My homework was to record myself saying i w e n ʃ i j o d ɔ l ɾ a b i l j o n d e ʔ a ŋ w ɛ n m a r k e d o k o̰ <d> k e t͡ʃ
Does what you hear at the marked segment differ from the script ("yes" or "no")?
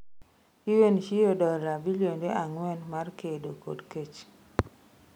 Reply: no